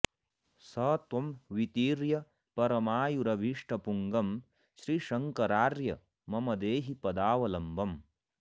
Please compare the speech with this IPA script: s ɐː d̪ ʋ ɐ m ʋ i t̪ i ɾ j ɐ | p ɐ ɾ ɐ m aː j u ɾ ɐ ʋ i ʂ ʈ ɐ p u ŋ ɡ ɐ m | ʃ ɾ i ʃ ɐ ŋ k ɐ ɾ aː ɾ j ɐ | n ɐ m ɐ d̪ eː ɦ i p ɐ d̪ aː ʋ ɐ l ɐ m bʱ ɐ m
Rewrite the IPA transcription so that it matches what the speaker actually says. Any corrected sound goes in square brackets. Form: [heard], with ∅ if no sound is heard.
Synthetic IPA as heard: s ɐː [t̪] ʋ ɐ m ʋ i t̪ [iː] ɾ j ɐ | p ɐ ɾ ɐ m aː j u ɾ ɐ ʋ i ʂ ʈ ɐ p u ŋ ɡ ɐ m | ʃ ɾ i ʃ ɐ ŋ k ɐ ɾ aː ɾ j ɐ | [m] ɐ m ɐ d̪ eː ɦ i p ɐ d̪ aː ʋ ɐ l ɐ m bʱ ɐ m